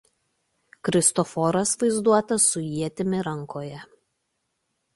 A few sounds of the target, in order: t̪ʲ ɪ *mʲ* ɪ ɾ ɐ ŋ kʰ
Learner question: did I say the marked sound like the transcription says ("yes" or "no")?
yes